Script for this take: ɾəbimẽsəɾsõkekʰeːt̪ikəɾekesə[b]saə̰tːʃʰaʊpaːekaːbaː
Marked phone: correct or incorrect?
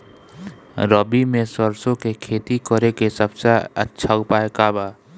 correct